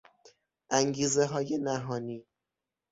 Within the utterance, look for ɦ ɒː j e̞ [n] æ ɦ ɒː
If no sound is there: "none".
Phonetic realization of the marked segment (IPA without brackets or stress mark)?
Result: n